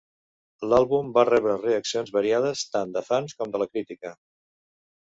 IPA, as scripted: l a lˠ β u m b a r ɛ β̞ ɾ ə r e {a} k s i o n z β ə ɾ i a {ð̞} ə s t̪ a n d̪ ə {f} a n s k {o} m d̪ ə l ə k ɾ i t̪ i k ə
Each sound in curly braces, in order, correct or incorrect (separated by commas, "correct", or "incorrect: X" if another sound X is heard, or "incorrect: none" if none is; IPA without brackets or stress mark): incorrect: ə, correct, correct, incorrect: ɔ